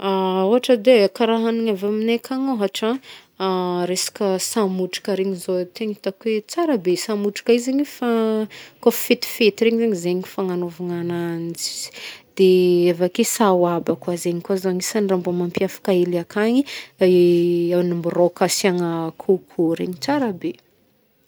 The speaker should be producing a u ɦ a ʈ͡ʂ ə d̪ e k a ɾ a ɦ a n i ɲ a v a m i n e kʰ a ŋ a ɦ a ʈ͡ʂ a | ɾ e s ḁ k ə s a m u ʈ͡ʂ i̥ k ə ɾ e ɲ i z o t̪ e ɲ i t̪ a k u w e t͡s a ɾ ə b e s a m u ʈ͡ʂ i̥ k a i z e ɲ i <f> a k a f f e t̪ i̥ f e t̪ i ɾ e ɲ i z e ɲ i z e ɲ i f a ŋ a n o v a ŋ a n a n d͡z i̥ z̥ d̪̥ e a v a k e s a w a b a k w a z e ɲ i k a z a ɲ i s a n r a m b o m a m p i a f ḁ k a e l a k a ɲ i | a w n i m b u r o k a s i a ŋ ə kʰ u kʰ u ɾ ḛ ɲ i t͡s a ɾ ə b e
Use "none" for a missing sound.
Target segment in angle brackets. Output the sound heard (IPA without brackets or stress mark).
f